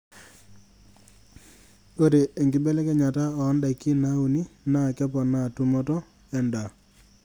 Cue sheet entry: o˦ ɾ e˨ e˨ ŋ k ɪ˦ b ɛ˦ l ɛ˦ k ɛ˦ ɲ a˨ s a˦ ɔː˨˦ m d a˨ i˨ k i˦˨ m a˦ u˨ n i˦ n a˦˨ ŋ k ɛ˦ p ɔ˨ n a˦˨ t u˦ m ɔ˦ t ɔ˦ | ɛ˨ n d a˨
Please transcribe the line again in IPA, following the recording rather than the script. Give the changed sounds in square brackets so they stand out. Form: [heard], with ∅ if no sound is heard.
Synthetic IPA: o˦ ɾ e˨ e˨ ŋ [ɡ] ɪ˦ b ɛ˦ l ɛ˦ k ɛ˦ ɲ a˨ [t] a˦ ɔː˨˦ [n] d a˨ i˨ k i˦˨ [n] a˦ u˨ n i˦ n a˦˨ [∅] k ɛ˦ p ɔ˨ n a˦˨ t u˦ m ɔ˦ t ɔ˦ | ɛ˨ n d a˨